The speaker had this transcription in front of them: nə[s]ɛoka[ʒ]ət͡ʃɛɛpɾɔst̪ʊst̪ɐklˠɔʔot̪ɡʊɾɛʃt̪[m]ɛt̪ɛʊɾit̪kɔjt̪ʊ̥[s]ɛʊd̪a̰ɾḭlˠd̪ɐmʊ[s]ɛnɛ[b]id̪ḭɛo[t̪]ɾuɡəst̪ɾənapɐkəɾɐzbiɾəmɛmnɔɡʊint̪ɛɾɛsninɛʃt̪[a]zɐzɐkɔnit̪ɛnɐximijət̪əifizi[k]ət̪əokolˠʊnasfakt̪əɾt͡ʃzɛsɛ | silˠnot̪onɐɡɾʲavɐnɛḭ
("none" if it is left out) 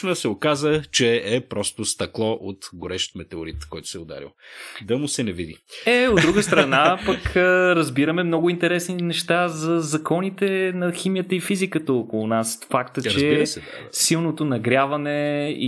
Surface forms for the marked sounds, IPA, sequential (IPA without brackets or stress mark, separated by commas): s, z, m, s, s, v, d̪, a, k